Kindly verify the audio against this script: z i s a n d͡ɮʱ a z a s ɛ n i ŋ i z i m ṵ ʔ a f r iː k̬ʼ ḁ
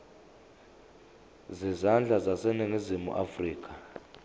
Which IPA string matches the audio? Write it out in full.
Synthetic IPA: z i z a n d͡ɮʱ a z a s ɛ n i ŋ i z i m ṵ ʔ a f r iː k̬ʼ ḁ

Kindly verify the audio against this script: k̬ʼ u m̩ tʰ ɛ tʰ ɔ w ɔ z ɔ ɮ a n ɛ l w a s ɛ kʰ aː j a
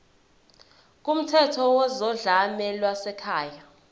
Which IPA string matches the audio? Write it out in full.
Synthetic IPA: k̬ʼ u m̩ tʰ ɛ tʰ ɔ w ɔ z ɔ ɮ a m ɛ l w a s ɛ kʰ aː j a

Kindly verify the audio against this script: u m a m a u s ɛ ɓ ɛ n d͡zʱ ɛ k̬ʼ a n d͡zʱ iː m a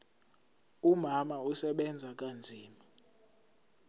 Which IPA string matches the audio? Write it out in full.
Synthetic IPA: u m a m a u s ɛ ɓ ɛ n d͡zʱ a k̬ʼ a n d͡zʱ iː m a

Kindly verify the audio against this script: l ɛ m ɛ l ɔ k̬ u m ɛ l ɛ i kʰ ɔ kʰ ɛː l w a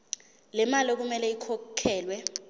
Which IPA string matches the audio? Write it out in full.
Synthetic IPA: l ɛ m a l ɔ k̬ u m ɛ l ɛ i kʰ ɔ kʰ ɛː l w ɛ

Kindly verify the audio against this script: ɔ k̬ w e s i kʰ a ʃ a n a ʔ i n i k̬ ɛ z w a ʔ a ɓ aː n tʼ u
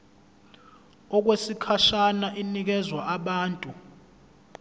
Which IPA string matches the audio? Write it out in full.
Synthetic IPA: ɔ k̬ w e s i kʰ a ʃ a n a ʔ i n i k̬ ɛ z w a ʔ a ɓ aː n tʼ u

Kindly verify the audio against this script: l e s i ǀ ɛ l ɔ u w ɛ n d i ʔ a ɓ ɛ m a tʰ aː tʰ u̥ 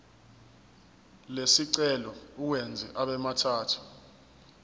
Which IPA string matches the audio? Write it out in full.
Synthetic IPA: l e s i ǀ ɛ l ɔ u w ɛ n d͡zʱ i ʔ a ɓ ɛ m a tʰ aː tʰ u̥

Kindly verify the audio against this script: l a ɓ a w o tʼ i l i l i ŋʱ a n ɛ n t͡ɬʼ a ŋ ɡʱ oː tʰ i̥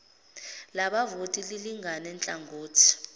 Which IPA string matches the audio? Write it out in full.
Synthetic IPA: l a ɓ a v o tʼ i l i l i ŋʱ a n ɛ n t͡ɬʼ a ŋ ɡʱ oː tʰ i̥

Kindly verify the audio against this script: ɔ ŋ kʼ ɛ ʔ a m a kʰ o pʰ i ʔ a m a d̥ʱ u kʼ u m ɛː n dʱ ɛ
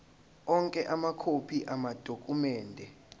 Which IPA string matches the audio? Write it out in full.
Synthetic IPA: ɔ ŋ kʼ ɛ ʔ a m a kʰ o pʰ i ʔ a m a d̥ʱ o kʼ u m ɛː n dʱ ɛ

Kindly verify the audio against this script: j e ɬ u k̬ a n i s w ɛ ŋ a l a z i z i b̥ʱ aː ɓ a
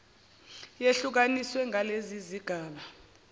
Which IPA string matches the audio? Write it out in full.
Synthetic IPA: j e ɬ u k̬ a n i s w ɛ ŋ a l e z i z i ɡ̥ʱ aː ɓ a

